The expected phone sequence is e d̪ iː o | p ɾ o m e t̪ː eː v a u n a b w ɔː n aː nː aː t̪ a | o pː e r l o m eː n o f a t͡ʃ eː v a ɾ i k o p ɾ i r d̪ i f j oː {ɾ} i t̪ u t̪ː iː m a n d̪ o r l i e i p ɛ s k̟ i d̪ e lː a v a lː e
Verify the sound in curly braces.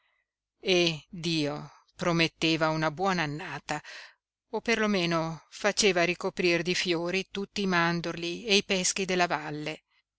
correct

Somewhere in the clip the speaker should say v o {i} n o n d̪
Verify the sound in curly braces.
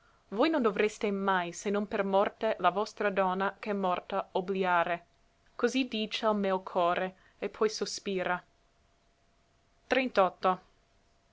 incorrect: j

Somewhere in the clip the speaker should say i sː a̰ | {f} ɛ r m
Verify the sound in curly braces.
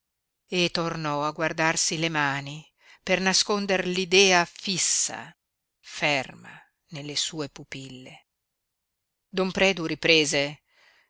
correct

